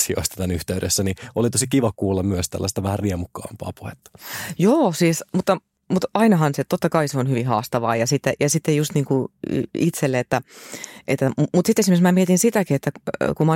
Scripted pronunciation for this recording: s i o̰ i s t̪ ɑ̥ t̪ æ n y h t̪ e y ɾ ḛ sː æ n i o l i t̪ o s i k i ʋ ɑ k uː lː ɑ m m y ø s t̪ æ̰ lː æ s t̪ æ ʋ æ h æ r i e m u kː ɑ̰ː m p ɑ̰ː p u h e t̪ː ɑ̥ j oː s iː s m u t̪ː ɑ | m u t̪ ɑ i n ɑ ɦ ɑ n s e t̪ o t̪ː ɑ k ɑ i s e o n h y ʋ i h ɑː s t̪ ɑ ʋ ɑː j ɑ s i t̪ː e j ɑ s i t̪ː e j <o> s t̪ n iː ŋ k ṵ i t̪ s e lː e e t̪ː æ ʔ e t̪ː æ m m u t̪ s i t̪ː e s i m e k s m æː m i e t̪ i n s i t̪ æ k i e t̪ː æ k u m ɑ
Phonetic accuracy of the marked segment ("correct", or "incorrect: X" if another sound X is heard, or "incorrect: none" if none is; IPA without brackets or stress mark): incorrect: u